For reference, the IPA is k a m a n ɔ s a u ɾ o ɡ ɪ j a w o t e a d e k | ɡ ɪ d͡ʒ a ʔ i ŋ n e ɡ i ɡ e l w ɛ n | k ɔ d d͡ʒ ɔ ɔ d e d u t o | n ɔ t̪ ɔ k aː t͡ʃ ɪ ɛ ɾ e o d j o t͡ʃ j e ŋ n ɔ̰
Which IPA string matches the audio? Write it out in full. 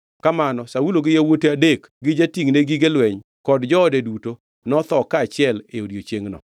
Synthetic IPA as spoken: k a m a n ɔ s a u l o ɡ ɪ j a w o t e a d e k | ɡ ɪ d͡ʒ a t i ŋ n e ɡ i ɡ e l w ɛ ɲ | k ɔ d d͡ʒ ɔ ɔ d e d u t o | n ɔ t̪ ɔ k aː t͡ʃ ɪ ɛ l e o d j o t͡ʃ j e ŋ n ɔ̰